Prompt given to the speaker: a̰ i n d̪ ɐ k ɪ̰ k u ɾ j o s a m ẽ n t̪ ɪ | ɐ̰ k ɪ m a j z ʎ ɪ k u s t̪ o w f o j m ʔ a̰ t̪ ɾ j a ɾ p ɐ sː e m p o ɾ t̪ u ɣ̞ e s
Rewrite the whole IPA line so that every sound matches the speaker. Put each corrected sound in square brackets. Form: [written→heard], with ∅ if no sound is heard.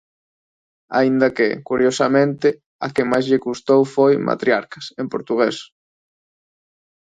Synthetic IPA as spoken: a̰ i n d̪ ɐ k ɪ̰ k u ɾ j o s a m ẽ n t̪ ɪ | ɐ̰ k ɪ m a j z ʎ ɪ k u s t̪ o w f o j m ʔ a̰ t̪ ɾ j a ɾ [p→k] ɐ [sː→s] e m p o ɾ t̪ u ɣ̞ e s